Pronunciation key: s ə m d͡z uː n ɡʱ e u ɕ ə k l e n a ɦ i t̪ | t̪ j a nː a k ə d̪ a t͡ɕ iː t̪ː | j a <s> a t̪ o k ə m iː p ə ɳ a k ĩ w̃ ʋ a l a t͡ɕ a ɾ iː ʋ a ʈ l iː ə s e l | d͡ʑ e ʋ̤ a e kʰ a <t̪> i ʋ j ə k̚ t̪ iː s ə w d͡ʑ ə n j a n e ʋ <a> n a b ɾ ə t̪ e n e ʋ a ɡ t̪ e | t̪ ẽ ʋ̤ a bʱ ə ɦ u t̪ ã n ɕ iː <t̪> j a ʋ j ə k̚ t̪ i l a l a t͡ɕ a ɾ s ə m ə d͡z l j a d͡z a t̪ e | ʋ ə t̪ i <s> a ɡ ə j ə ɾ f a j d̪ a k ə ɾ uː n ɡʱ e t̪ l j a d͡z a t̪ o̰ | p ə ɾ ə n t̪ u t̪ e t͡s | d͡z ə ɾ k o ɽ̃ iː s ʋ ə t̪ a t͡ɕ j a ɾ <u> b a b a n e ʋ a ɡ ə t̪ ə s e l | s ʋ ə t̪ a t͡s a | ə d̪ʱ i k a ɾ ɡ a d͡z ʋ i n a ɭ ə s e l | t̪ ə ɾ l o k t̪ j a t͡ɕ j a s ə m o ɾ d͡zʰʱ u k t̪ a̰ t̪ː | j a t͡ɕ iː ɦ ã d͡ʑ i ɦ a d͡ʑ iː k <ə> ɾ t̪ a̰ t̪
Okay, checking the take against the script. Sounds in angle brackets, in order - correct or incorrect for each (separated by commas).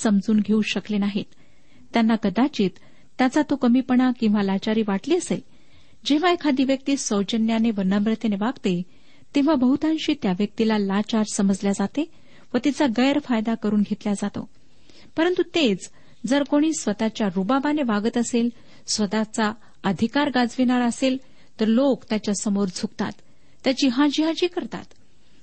incorrect, incorrect, incorrect, correct, incorrect, correct, correct